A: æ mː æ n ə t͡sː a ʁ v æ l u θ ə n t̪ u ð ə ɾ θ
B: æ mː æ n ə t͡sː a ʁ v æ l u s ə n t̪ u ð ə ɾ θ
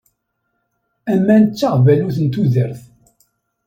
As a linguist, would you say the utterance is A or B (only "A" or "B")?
A